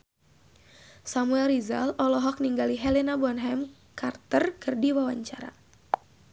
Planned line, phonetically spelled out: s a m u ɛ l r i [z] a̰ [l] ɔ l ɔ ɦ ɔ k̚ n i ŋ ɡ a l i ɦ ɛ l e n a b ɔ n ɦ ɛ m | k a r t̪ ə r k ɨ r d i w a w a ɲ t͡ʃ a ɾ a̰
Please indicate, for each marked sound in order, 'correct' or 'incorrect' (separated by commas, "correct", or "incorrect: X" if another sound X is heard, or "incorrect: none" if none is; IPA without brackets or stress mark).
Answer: correct, correct